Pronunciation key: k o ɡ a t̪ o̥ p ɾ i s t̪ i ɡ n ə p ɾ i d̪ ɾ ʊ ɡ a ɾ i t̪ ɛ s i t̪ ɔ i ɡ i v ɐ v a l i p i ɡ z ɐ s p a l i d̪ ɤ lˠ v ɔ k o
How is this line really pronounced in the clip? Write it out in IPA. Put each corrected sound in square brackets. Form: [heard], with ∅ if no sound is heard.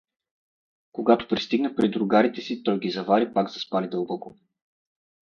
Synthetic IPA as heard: k o ɡ a t̪ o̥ p ɾ i s t̪ i ɡ n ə p ɾ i d̪ ɾ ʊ ɡ a ɾ i t̪ ɛ s i t̪ ɔ [j] ɡ i [z] ɐ v a [ɾ] i p [a] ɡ z ɐ s p a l i d̪ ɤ lˠ [b] ɔ k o